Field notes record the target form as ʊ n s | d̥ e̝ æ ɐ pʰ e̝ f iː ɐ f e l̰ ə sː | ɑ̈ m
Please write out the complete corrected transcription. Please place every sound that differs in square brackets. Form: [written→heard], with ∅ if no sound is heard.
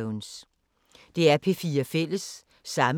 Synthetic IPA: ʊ n s | d̥ e̝ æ ɐ pʰ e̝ f iː ɐ f e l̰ ə sː | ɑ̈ m